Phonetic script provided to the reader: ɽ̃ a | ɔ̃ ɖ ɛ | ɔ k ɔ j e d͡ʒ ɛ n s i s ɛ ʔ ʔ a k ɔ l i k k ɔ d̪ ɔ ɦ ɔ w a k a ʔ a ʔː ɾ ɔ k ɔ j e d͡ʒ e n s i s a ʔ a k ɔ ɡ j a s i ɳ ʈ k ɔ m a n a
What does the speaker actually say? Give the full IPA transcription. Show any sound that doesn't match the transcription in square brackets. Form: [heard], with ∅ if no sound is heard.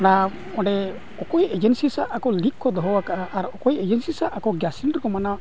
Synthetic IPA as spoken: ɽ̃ a | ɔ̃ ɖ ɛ | ɔ k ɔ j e d͡ʒ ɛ n s i s [a] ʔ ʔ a k ɔ l i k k ɔ d̪ ɔ ɦ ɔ w a k a ʔ a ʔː ɾ ɔ k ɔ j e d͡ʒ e n s i s a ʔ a k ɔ ɡ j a s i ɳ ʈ k ɔ m a n a

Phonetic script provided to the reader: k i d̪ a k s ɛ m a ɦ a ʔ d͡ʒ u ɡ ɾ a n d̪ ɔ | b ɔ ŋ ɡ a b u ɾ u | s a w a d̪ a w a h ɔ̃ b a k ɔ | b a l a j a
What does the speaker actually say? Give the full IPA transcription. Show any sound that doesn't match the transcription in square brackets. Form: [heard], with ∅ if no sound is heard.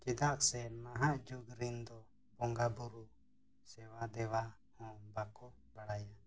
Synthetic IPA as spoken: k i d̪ a k s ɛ m a ɦ a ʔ d͡ʒ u ɡ ɾ [i] n d̪ ɔ | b ɔ ŋ ɡ a b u ɾ u | s [ɛ] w a d̪ [ɛ] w a h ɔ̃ b a k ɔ | b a [ɽ] a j a

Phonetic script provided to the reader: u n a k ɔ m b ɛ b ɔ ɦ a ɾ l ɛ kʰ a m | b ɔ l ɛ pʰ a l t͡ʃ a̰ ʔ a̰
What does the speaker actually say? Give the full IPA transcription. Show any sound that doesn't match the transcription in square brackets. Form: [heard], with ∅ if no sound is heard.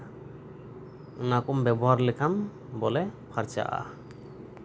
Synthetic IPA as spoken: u n a k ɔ m b ɛ b ɔ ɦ a ɾ l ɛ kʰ a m | b ɔ l ɛ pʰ a [ɾ] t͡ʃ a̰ ʔ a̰

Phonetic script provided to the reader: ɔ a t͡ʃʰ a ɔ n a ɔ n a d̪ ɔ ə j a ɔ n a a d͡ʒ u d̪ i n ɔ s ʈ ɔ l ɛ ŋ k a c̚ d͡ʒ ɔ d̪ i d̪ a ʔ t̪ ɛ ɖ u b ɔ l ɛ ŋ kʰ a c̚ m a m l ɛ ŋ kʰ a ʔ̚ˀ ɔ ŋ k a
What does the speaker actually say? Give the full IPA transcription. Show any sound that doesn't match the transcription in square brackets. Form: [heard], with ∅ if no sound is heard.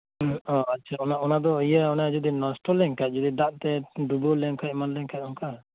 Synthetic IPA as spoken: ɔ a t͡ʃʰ a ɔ n a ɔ n a d̪ ɔ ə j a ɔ n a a d͡ʒ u d̪ i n ɔ s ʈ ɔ l ɛ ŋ k a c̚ d͡ʒ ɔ d̪ i d̪ a ʔ t̪ ɛ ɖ u b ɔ l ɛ ŋ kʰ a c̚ m a [n] l ɛ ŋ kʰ a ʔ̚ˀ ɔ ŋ k a

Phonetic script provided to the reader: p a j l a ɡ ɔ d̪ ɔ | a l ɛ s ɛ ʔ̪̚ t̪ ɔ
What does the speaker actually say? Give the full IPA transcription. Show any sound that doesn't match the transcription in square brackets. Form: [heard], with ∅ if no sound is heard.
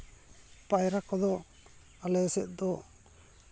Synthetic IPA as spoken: p a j [ɾ] a [k] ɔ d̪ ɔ | a l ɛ s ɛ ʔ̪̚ [d̪] ɔ

